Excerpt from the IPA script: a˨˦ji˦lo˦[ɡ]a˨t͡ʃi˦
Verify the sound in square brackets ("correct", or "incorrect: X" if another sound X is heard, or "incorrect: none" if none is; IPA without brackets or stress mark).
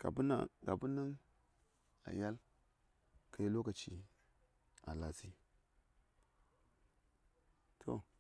incorrect: k